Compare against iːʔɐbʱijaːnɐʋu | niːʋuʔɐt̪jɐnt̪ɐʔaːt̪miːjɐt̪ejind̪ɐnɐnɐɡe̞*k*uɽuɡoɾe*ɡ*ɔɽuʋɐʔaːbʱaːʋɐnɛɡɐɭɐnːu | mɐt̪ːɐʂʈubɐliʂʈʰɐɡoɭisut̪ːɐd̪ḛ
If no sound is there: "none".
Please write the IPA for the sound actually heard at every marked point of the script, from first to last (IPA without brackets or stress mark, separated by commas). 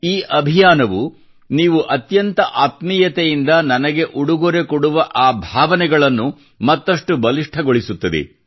ʔ, k